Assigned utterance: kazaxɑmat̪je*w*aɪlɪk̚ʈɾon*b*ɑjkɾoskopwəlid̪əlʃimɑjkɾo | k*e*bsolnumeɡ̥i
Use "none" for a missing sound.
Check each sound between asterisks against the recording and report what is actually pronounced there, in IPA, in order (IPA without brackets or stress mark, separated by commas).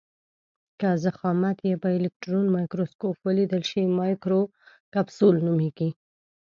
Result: b, m, a